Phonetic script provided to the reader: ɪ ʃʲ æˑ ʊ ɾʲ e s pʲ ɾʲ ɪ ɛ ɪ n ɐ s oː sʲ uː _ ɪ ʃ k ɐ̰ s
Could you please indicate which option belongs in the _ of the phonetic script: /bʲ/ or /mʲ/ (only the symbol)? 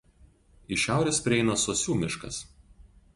mʲ